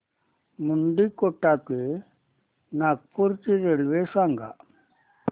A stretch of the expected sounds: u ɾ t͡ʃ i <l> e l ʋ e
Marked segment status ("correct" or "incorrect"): incorrect